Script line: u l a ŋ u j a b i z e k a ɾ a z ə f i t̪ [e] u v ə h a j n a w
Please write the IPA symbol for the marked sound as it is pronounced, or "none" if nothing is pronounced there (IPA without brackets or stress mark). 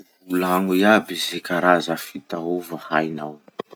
a